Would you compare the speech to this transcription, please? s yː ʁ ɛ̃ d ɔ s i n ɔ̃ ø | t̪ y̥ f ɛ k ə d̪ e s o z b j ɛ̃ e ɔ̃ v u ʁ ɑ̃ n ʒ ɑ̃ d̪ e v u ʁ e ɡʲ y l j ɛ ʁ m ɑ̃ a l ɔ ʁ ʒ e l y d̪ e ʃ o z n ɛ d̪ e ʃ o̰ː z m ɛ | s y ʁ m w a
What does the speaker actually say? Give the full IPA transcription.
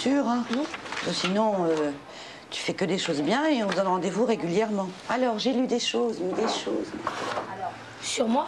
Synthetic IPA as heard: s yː ʁ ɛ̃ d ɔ s i n ɔ̃ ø | t̪ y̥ f ɛ k ə d̪ e ʃ o z b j ɛ̃ e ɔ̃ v u z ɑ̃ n ʁ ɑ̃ d̪ e v u ʁ e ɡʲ y l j ɛ ʁ m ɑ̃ a l ɔ ʁ ʒ e l y d̪ e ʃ o z m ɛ d̪ e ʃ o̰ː z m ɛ | s y ʁ m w a